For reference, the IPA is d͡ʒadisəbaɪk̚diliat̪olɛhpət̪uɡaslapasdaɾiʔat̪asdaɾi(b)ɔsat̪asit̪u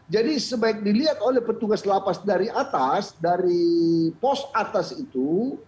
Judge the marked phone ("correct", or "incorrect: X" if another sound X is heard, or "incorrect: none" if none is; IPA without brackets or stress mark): incorrect: p